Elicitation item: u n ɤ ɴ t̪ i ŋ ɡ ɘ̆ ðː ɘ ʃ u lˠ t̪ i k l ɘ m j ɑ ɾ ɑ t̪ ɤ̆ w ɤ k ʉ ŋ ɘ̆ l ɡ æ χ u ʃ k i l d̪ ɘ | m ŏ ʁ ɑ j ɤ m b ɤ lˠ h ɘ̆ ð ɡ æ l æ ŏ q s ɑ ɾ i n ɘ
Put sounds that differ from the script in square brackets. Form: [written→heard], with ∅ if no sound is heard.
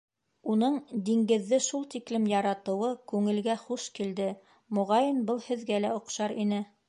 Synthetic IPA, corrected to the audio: u n ɤ ɴ [t̪→d̪] i ŋ ɡ ɘ̆ ðː ɘ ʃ u lˠ t̪ i k l ɘ m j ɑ ɾ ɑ t̪ ɤ̆ w ɤ k ʉ ŋ ɘ̆ l ɡ æ χ u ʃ k i l d̪ ɘ | m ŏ ʁ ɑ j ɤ [m→n] b ɤ lˠ h ɘ̆ ð ɡ æ l æ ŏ q [s→ʃ] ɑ ɾ i n ɘ